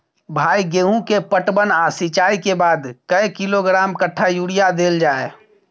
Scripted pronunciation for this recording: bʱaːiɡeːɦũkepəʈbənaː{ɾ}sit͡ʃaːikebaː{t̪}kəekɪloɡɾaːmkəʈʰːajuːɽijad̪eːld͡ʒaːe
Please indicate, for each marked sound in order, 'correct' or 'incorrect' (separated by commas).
incorrect, incorrect